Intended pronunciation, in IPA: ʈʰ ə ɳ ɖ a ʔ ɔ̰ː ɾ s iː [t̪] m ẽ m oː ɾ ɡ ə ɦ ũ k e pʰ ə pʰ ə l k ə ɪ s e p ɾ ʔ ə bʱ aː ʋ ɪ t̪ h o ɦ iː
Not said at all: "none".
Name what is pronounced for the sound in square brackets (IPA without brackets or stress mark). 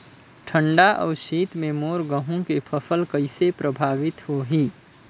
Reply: t̪